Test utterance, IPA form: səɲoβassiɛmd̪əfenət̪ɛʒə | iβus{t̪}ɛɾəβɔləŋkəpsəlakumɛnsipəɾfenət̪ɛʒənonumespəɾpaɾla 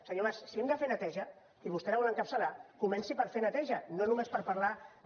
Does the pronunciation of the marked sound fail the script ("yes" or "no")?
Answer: no